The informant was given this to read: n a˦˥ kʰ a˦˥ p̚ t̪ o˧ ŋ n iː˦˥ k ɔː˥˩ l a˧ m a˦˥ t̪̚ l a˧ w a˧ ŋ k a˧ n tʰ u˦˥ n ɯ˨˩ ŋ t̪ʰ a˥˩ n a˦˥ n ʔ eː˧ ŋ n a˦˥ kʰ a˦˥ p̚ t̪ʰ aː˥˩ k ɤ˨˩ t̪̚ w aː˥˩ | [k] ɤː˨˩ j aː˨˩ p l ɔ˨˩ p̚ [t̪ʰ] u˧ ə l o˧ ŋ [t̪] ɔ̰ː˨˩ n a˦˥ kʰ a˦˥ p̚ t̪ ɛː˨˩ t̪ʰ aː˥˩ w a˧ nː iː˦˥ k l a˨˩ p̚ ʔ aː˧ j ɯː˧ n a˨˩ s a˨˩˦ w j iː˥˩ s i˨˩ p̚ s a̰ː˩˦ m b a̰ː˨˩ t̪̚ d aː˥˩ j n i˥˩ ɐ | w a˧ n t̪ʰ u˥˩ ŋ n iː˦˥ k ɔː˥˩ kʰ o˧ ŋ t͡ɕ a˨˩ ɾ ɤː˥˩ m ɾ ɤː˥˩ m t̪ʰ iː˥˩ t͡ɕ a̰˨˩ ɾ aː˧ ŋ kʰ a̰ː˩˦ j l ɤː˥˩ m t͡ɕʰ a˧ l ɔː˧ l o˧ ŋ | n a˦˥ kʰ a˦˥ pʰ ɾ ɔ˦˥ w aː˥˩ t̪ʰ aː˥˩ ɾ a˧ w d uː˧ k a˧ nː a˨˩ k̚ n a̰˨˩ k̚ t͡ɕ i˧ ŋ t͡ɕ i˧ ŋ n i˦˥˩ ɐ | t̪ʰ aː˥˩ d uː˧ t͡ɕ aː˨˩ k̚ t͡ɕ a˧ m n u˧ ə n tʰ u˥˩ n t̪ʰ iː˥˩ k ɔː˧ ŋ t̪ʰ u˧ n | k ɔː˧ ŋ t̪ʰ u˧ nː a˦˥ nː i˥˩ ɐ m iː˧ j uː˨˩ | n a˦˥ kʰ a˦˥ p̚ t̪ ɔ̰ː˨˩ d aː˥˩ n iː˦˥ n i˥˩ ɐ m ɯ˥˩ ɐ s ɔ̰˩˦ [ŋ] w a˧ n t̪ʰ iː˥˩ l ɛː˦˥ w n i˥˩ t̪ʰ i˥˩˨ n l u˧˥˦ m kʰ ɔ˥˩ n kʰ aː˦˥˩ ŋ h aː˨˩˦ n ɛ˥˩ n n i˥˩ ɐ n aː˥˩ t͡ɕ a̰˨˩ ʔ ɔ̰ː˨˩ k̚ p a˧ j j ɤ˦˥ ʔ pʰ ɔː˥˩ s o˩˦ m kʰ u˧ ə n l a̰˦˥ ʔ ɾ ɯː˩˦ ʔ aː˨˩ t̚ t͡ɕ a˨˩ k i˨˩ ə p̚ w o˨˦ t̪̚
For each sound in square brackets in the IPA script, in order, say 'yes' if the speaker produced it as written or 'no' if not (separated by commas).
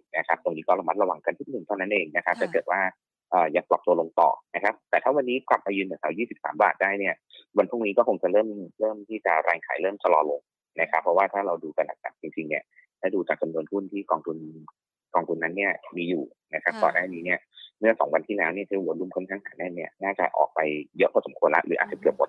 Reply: no, no, yes, yes